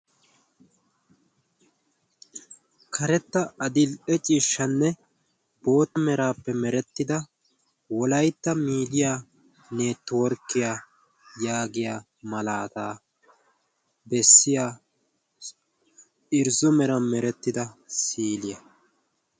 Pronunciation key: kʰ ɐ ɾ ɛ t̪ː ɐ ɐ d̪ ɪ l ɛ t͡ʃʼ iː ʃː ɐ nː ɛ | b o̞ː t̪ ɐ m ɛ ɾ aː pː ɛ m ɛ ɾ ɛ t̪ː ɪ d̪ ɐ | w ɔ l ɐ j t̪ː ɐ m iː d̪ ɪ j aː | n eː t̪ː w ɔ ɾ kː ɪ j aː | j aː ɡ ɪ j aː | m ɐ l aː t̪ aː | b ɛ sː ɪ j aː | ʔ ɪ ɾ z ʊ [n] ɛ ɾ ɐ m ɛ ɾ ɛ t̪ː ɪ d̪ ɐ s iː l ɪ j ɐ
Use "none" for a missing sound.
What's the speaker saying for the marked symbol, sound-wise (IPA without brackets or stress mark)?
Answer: m